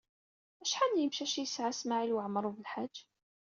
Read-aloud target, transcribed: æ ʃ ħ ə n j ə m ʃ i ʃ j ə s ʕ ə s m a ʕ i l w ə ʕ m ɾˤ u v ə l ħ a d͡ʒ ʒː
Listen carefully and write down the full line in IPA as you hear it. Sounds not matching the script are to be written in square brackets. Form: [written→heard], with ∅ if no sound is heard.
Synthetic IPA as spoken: æ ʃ ħ [ə→a] n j ə m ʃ [i→æ] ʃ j ə s ʕ [ə→a] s m a ʕ i l w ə ʕ m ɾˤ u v ə l ħ a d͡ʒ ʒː